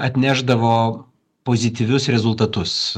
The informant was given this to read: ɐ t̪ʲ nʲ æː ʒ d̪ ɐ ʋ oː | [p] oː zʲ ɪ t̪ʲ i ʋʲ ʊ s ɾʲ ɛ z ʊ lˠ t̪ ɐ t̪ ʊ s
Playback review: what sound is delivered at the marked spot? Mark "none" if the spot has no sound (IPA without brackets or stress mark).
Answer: p